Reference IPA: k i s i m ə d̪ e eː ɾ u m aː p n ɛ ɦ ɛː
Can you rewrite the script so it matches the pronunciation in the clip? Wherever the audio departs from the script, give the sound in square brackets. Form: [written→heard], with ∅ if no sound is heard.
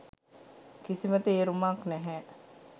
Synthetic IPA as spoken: k i s i m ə [d̪→t̪] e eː ɾ u m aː [p→k] n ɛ ɦ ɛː